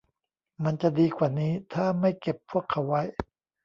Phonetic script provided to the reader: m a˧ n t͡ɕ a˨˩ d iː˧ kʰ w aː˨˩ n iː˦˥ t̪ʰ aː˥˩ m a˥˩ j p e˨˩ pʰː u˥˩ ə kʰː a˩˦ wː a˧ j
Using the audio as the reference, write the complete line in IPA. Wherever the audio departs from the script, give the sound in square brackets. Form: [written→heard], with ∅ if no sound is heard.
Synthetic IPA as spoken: m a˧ n t͡ɕ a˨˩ d iː˧ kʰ w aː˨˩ n iː˦˥ t̪ʰ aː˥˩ m a˥˩ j [p→k] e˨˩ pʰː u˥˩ ə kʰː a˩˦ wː [a˧→a˦˥] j